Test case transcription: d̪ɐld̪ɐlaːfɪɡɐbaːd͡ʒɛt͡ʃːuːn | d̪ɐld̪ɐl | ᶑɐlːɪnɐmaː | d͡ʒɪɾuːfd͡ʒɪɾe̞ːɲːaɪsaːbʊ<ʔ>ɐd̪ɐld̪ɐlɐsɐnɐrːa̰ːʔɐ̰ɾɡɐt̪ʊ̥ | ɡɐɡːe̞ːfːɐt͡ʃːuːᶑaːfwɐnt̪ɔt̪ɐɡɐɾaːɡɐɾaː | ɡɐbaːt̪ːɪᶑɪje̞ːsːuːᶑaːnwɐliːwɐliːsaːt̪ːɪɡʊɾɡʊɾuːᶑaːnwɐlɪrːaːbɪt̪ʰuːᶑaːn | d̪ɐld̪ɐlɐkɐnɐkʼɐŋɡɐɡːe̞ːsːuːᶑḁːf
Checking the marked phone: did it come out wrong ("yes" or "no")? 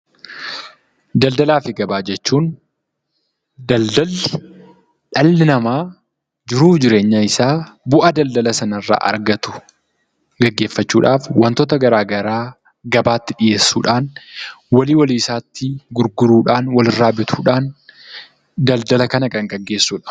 no